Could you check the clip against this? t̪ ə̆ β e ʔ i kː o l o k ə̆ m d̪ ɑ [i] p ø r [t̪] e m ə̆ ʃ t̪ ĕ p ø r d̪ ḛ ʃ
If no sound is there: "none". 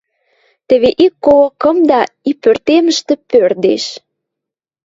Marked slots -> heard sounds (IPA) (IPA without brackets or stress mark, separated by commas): i, t̪